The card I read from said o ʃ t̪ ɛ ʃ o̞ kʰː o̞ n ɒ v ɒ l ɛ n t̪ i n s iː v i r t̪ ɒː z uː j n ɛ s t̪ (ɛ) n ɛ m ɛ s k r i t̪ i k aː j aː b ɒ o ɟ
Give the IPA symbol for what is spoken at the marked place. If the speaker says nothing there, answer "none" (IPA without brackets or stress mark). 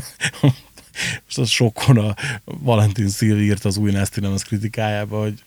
i